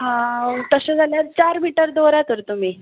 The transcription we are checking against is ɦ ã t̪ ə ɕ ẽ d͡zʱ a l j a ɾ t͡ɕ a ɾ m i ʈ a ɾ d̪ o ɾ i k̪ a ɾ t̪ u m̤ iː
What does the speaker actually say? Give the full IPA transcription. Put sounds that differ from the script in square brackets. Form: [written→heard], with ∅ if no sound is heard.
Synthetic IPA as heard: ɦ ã t̪ ə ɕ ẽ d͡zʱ a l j a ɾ t͡ɕ a ɾ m i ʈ [a→ə] ɾ d̪ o ɾ [i→a] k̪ [a→ə] ɾ t̪ u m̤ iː